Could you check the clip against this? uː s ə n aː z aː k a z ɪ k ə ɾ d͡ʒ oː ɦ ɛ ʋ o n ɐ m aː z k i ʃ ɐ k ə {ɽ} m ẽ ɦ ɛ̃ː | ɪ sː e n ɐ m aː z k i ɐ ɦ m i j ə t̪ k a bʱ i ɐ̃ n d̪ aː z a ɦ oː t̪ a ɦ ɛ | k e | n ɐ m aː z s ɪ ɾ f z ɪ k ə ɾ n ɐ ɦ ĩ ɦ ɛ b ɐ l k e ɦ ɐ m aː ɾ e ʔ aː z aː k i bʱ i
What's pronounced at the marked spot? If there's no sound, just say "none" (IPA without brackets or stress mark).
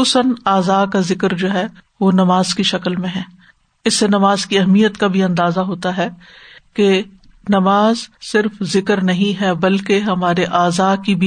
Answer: l